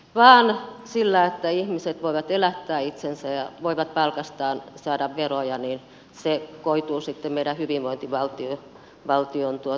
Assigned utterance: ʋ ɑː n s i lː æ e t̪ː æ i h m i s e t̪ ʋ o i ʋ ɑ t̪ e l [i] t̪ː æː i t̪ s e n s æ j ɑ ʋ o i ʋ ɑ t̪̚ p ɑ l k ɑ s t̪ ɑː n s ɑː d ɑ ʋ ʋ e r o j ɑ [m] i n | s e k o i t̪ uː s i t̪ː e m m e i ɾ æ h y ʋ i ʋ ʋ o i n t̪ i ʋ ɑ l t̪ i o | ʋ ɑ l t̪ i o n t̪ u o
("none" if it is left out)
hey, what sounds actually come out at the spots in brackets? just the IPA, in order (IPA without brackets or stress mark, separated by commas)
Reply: æ, n